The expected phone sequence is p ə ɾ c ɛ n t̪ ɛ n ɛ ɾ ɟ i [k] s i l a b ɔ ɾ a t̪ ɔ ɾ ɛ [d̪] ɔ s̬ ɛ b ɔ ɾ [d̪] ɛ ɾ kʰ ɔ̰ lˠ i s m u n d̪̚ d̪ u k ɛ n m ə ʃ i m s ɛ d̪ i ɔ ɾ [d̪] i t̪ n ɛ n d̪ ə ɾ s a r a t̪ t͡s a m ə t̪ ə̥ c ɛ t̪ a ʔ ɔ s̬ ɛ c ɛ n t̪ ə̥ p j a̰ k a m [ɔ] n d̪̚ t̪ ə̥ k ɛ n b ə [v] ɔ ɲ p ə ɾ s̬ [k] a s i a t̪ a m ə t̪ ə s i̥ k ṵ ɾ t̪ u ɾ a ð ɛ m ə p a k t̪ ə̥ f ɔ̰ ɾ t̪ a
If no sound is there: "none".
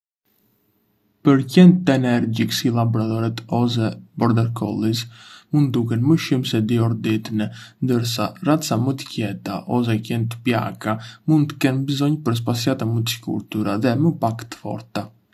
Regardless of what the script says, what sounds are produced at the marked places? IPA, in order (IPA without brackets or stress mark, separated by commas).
k, t̪, d̪, d̪, u, z, p